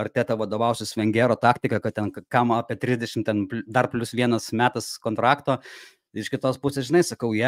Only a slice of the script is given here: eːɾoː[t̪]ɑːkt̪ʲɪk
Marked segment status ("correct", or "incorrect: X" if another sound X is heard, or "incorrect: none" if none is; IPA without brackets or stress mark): correct